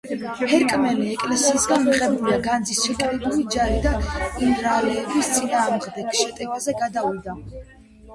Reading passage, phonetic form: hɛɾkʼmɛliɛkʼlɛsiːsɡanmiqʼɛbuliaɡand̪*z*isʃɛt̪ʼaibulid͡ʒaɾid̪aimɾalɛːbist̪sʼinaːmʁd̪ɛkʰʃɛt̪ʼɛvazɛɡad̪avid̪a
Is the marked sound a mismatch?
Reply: no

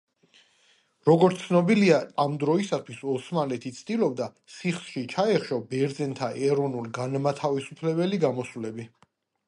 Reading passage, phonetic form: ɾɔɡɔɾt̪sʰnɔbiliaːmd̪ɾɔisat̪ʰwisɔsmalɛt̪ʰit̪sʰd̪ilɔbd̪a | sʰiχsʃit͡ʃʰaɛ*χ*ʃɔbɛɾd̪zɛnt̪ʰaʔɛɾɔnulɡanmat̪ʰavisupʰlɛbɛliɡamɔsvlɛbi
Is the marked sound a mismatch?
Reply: no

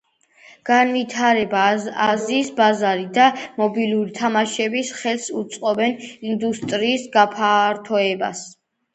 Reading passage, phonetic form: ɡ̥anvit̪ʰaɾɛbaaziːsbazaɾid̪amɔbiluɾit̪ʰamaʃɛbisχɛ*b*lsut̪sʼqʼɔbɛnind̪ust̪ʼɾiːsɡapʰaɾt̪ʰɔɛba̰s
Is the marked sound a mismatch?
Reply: yes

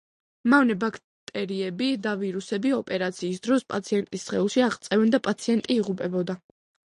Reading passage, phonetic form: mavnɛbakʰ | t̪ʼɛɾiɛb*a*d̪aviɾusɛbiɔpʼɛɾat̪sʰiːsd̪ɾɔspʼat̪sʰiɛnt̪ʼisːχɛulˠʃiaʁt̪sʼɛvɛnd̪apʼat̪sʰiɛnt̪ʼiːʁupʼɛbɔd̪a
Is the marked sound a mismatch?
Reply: yes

